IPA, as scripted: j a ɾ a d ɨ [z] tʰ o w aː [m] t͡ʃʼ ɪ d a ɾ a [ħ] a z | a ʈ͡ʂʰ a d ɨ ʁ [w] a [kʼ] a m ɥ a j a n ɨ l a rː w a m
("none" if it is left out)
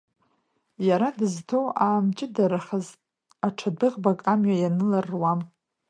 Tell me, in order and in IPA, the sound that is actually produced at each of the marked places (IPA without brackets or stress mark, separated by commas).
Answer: z, m, χ, b, kʼ